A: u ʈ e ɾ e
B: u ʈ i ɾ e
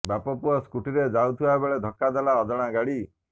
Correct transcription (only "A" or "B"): B